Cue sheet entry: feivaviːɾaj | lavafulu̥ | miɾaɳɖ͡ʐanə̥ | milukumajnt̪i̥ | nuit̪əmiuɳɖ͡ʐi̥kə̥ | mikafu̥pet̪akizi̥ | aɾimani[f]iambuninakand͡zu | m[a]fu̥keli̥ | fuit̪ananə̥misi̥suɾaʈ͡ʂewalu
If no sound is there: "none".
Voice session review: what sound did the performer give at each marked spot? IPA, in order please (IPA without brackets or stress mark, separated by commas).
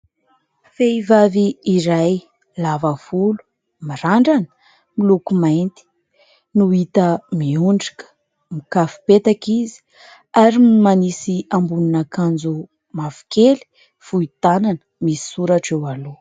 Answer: s, a